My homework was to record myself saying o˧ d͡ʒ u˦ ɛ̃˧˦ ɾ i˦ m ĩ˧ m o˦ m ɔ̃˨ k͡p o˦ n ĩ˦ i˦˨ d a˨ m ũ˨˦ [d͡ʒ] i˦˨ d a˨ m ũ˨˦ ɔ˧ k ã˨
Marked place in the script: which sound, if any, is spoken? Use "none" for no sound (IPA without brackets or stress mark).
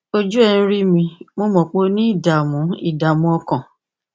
none